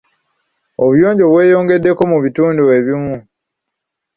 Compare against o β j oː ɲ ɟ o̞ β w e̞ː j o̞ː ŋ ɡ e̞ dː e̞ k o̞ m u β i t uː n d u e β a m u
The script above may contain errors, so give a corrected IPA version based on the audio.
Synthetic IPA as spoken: o β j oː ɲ ɟ o̞ β w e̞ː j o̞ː ŋ ɡ e̞ dː e̞ k o̞ m u β i t uː n d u e β i m u